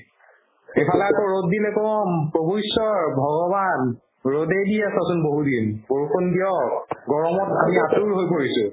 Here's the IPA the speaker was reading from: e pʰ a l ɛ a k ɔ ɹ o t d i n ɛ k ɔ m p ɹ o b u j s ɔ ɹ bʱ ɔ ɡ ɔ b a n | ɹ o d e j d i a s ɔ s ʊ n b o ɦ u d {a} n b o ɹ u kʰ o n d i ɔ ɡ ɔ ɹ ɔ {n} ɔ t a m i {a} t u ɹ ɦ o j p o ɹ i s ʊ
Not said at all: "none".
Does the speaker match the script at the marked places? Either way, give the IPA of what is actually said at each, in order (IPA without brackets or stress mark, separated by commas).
i, m, a